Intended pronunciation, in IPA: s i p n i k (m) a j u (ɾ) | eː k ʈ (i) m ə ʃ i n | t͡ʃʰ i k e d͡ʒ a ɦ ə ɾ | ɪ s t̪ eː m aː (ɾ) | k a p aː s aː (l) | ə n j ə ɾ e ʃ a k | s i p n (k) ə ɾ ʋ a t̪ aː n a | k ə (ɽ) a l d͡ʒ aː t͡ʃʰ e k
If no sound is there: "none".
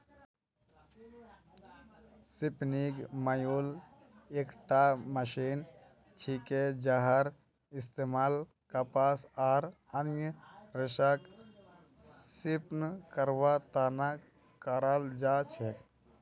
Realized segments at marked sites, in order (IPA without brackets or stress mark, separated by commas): m, l, a, l, ɾ, k, ɾ